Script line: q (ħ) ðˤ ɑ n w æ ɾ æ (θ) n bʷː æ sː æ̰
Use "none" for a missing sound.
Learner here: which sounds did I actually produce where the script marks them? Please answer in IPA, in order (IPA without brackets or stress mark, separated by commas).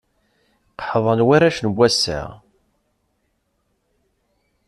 ħ, ʃ